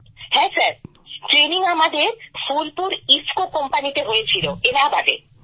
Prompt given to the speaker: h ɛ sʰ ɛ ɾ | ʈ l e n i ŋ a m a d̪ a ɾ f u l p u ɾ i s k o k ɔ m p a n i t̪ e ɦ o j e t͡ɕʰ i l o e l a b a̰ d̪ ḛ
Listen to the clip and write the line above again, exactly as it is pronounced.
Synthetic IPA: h ɛ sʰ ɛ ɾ | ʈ ɾ e n i ŋ a m a d̪ e ɾ f u l p u ɾ i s k o k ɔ m p a n i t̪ e ɦ o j e t͡ɕʰ i l o e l a b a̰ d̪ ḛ